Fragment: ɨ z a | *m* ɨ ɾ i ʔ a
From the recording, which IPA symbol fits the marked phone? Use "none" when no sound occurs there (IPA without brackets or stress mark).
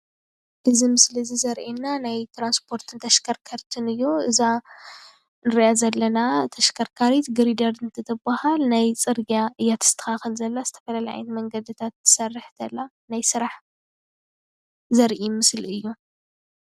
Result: n